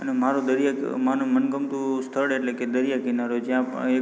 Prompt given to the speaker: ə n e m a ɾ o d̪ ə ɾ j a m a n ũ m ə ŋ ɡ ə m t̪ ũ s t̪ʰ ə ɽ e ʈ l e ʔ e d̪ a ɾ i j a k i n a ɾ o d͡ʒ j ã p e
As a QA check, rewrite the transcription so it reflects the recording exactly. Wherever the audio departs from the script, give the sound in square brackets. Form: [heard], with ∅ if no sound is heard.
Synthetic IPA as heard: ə n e m a ɾ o d̪ ə ɾ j a m a n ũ m ə [n] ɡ ə m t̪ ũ s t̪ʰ ə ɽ e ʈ l e [k] e d̪ [ə] ɾ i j a k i n a ɾ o d͡ʒ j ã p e